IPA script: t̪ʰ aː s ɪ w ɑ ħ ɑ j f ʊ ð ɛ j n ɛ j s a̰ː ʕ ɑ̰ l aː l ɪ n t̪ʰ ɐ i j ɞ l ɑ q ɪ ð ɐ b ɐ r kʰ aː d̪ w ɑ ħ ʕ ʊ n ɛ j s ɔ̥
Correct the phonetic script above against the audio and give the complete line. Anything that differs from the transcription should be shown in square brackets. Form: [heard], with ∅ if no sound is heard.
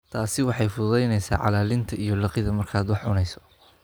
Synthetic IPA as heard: t̪ʰ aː s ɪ w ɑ ħ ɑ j f ʊ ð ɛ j n ɛ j s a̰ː ʕ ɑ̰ l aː l ɪ n t̪ʰ ɐ i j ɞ l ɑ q ɪ ð ɐ [m] ɐ r kʰ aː d̪ w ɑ ħ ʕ ʊ n ɛ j s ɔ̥